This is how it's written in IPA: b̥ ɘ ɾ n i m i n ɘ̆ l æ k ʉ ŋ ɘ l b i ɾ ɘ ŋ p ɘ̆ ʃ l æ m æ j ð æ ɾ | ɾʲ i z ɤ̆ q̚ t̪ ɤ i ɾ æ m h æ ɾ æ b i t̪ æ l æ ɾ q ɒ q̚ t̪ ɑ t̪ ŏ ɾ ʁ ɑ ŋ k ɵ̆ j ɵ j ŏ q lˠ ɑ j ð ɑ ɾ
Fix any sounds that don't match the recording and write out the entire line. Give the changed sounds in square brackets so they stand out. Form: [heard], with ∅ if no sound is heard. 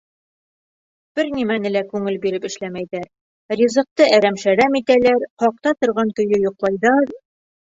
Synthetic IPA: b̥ ɘ ɾ n i m [æ] n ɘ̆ l æ k ʉ ŋ ɘ l b i ɾ ɘ [∅] p ɘ̆ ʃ l æ m æ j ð æ ɾ | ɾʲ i z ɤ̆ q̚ t̪ ɤ [æ] ɾ æ m [ʃ] æ ɾ æ [m] i t̪ æ l æ ɾ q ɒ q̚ t̪ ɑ t̪ ŏ ɾ ʁ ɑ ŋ k ɵ̆ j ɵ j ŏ q lˠ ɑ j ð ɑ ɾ